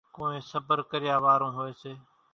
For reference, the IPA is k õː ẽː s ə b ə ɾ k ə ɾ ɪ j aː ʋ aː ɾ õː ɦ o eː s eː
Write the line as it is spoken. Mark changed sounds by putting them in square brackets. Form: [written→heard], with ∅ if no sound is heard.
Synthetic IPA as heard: k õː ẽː s ə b ə ɾ k ə ɾ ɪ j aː ʋ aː ɾ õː ɦ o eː s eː